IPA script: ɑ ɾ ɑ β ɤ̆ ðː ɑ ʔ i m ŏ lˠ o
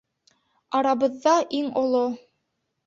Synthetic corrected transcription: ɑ ɾ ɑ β ɤ̆ ðː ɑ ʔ i ŋ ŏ lˠ o